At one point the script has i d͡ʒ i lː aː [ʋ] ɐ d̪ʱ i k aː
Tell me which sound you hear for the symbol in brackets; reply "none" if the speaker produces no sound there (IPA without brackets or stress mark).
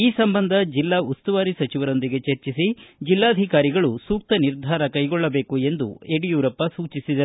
none